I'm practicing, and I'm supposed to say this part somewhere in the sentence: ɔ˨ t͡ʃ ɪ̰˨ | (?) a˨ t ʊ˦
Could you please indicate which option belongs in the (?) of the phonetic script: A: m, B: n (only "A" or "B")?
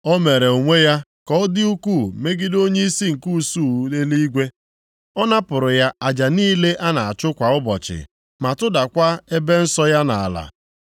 A